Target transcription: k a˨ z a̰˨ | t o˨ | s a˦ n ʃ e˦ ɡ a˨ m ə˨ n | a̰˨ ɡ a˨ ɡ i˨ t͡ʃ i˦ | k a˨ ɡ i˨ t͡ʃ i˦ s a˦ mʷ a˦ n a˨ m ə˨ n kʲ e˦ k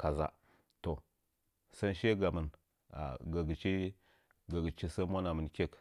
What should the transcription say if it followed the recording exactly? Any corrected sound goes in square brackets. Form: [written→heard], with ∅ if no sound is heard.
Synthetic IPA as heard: k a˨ z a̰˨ | t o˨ | s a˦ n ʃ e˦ ɡ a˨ m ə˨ n | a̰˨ ɡ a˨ ɡ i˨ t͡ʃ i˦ | [k→ɡ] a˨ ɡ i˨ t͡ʃ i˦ s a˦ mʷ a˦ n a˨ m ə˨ n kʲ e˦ k

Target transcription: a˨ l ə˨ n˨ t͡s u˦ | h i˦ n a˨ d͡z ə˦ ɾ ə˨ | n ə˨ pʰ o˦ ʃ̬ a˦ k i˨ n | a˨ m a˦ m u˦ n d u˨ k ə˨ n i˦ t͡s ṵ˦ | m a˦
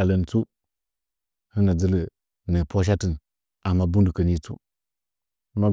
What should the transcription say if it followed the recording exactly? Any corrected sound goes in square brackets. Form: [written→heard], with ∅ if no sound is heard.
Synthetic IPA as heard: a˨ l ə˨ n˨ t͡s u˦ | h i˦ n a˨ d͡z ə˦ [ɾ→l] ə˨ | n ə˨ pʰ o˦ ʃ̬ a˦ [k→t] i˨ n | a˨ m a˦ [m→b] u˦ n d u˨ k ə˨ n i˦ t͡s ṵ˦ | m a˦

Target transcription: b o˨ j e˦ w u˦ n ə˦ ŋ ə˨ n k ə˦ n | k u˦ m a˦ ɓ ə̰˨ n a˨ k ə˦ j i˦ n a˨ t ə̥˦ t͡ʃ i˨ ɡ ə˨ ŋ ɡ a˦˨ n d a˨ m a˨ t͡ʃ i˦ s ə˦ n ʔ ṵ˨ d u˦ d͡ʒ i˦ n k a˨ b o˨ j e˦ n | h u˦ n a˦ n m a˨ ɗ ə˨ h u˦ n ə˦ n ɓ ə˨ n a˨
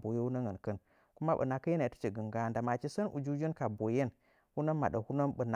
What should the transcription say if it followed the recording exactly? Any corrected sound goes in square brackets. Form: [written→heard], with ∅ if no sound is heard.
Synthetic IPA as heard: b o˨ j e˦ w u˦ n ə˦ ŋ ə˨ n k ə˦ n | k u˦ m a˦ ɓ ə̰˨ n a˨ k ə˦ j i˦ n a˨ t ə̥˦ t͡ʃ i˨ ɡ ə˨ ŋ ɡ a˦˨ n d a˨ m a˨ t͡ʃ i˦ s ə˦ n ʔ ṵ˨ [d→d͡ʒ] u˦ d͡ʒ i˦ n k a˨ b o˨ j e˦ n | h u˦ n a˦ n m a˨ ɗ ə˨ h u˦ n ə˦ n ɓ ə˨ n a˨

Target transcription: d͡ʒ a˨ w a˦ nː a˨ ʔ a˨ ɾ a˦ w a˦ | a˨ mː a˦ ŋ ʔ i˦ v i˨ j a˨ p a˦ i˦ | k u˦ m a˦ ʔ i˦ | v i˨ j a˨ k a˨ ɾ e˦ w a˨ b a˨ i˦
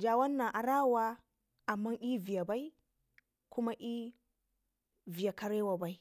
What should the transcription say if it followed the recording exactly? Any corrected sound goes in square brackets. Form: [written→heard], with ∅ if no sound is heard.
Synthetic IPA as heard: d͡ʒ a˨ w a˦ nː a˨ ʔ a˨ ɾ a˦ w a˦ | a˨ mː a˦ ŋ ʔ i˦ v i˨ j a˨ [p→b] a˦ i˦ | k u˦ m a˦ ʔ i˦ | v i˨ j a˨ k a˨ ɾ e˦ w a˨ b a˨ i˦

